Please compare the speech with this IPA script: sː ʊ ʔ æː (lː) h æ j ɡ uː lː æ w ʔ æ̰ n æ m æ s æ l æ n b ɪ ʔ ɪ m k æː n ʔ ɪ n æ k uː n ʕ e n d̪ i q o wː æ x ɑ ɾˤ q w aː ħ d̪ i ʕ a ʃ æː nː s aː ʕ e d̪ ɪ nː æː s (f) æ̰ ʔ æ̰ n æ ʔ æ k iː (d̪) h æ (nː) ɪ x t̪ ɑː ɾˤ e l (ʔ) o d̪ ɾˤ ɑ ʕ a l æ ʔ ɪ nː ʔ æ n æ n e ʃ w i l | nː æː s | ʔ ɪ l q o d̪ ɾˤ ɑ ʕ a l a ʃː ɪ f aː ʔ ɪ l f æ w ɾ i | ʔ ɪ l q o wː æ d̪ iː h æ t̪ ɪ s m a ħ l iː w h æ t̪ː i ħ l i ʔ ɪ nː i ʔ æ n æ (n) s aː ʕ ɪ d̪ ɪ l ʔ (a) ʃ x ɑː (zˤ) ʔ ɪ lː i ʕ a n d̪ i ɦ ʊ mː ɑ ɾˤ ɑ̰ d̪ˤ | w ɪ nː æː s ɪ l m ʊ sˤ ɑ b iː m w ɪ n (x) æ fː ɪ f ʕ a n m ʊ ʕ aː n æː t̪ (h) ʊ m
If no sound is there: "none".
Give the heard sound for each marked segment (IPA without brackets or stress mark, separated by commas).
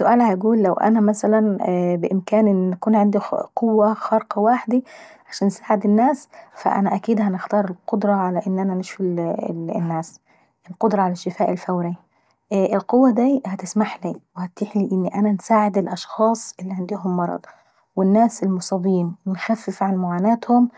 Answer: l, f, d̪, n, q, n, ɑ, sˤ, x, h